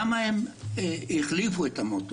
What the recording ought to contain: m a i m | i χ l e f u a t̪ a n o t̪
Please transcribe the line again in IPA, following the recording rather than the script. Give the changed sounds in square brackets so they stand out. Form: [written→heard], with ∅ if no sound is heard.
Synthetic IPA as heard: m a [i→e] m | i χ l [e→i] f u [a→e] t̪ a [n→m] o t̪